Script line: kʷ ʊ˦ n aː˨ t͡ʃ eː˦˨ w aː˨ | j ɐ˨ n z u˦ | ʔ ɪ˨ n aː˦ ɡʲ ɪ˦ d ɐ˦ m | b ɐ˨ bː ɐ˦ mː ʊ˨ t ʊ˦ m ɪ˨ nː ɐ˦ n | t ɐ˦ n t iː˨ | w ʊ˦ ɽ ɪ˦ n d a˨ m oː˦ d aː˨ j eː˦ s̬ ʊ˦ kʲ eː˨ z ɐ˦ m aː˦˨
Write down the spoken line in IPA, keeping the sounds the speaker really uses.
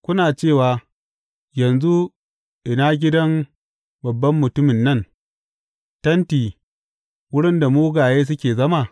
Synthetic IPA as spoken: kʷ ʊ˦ n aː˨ t͡ʃ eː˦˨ w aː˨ | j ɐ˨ n z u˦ | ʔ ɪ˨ n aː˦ ɡʲ ɪ˦ d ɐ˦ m | b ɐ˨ bː ɐ˦ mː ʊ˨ t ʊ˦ m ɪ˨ nː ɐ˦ n | t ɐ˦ n t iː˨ | w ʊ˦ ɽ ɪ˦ n d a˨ m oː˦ ɡ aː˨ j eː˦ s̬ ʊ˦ kʲ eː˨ z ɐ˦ m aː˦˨